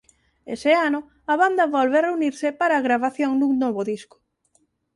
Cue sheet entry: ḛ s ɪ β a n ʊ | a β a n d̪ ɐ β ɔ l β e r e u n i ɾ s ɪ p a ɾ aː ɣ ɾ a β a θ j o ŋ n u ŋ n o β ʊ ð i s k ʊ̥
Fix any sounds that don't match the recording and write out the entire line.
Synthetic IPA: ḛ s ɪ a n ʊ | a β a n d̪ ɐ β ɔ l β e r e u n i ɾ s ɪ p a ɾ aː ɣ ɾ a β a θ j o ŋ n u ŋ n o β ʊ ð i s k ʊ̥